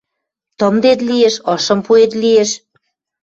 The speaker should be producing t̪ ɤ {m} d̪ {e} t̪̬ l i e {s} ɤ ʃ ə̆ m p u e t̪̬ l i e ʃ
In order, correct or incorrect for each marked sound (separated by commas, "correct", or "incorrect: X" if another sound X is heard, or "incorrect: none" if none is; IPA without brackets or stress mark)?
correct, correct, incorrect: ʃ